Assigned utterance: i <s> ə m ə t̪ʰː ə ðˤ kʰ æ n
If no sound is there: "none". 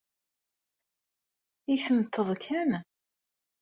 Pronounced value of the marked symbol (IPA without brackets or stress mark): θ